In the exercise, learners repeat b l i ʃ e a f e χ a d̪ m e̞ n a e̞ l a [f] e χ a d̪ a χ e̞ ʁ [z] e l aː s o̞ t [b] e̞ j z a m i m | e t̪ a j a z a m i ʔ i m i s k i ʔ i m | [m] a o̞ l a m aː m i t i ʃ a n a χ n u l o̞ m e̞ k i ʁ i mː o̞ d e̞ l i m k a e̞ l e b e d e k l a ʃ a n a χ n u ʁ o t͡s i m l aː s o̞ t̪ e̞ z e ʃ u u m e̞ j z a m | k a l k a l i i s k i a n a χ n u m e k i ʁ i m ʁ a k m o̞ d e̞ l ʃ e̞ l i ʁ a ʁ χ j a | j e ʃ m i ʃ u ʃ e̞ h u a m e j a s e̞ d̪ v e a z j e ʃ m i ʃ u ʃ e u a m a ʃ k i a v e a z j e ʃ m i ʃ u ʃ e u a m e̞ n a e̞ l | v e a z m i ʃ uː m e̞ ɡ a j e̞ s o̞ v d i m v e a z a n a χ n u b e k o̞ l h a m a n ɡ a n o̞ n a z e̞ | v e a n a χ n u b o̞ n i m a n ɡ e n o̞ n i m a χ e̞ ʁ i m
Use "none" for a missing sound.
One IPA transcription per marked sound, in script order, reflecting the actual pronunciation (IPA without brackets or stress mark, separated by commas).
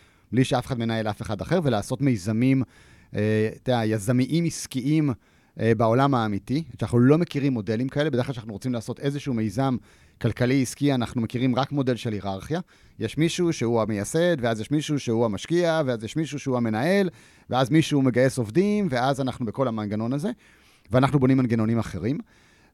f, v, m, b